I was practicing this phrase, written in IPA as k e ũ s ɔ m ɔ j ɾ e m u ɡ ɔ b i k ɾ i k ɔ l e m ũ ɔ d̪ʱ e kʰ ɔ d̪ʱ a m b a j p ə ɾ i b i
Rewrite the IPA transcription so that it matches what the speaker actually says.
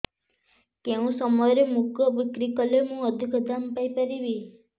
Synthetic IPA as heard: k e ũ s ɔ m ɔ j ɾ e m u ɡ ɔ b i k ɾ i k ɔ l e m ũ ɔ d̪ʱ i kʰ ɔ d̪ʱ a m p a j p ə ɾ i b i